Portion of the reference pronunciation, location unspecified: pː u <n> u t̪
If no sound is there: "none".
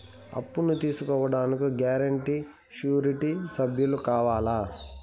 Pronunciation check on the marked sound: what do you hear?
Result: n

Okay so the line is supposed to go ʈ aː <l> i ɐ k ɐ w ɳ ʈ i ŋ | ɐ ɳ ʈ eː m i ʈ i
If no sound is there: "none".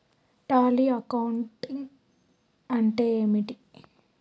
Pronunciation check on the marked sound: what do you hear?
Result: l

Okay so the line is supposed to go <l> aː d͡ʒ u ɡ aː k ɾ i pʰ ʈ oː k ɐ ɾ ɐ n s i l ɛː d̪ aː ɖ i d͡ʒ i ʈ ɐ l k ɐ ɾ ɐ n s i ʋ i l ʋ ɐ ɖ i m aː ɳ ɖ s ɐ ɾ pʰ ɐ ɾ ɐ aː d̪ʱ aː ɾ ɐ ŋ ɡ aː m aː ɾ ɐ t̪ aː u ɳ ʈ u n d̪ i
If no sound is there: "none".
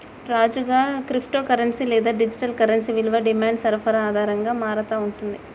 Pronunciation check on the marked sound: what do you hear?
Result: ɾ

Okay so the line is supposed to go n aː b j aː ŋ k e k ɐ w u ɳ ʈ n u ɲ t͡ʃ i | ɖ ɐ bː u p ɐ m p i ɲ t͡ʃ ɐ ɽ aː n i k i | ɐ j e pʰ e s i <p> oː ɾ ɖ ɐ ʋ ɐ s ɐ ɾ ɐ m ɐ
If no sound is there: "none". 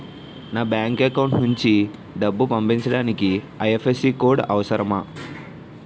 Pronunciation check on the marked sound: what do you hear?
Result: k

